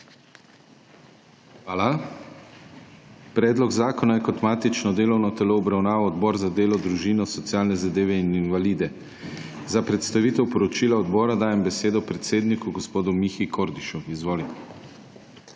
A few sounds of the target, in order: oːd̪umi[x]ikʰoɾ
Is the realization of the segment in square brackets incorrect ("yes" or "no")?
no